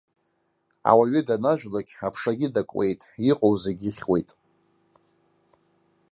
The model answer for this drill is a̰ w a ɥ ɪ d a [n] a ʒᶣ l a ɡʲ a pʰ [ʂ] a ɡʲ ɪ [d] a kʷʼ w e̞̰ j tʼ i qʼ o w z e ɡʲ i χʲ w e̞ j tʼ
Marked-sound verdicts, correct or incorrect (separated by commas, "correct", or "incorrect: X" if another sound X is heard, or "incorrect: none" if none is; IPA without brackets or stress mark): correct, correct, correct